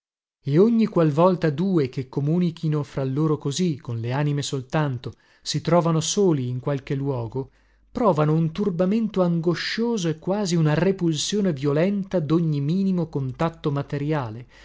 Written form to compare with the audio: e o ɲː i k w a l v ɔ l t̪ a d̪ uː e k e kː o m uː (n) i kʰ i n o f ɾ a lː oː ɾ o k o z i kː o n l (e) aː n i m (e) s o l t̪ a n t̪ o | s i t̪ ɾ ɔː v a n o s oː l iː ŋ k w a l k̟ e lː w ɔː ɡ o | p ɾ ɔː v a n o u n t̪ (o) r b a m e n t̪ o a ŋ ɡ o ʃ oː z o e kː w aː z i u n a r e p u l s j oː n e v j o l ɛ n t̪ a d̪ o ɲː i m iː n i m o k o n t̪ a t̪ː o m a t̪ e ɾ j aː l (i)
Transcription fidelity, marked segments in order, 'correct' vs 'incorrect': correct, correct, correct, incorrect: u, incorrect: e

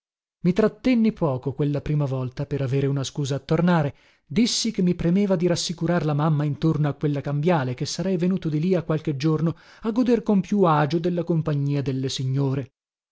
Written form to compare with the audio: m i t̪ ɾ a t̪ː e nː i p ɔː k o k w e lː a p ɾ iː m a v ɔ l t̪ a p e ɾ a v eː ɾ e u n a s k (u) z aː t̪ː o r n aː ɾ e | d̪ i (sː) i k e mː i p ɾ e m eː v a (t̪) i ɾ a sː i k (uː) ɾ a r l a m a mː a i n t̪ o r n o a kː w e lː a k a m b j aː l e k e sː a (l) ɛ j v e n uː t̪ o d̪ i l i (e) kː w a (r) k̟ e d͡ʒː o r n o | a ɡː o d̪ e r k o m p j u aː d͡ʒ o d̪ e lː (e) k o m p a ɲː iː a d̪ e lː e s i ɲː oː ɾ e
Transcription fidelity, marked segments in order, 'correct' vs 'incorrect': incorrect: uː, correct, incorrect: d̪, incorrect: u, incorrect: ɾ, incorrect: a, incorrect: l, incorrect: a

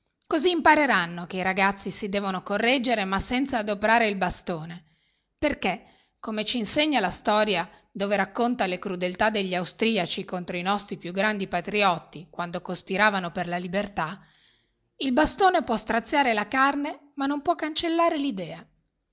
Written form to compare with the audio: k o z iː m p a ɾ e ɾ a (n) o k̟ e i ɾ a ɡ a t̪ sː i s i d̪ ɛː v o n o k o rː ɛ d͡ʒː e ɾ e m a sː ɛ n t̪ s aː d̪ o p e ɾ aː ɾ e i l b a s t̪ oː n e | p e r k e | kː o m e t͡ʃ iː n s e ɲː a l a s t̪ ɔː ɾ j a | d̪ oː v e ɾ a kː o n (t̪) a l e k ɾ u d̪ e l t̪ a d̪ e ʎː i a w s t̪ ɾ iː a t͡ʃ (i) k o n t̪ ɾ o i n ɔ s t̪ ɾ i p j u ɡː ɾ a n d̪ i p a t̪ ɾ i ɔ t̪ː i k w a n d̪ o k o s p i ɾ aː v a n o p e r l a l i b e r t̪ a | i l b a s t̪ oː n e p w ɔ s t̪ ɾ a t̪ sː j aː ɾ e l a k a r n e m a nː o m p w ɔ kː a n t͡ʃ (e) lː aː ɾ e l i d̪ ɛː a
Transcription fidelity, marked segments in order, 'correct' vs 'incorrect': incorrect: nː, correct, correct, correct

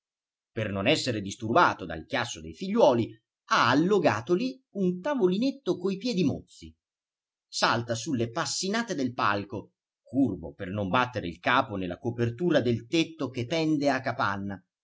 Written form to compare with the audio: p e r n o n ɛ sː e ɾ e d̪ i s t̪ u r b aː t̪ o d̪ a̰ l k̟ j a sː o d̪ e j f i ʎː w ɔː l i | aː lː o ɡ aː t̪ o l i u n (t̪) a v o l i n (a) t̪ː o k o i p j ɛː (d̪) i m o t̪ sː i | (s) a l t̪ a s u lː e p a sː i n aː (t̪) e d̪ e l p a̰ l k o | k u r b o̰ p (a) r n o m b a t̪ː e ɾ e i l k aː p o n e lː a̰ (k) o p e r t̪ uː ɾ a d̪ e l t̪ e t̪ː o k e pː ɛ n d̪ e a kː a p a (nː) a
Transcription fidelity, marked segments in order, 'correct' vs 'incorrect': correct, incorrect: e, correct, correct, correct, incorrect: e, correct, correct

